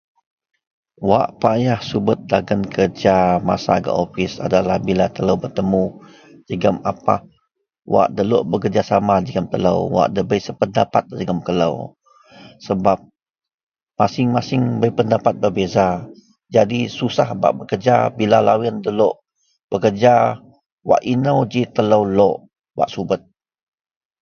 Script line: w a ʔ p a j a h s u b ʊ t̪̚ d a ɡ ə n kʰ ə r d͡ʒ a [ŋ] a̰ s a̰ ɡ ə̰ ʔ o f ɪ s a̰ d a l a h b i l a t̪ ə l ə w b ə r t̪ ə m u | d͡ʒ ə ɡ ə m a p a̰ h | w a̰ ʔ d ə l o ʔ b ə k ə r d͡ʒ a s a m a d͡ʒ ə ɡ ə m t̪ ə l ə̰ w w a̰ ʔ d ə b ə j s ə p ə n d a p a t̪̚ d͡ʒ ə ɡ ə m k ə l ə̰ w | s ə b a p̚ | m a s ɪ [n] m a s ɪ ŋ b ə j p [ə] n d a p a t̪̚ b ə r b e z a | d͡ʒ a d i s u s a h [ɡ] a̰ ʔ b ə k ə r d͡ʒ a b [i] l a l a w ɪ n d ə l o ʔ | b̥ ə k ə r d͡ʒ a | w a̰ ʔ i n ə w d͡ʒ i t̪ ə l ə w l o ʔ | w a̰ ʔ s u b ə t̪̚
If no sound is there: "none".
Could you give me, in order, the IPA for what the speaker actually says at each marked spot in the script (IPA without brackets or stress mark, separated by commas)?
m, ŋ, ə, b, i